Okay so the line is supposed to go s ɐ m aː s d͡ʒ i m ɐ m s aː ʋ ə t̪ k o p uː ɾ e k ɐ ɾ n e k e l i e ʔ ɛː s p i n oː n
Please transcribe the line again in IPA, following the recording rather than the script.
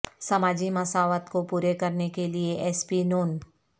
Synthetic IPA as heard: s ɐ m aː d͡ʒ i m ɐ s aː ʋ ə t̪ k o p uː ɾ e k ɐ ɾ n e k e l i e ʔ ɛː s p i n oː n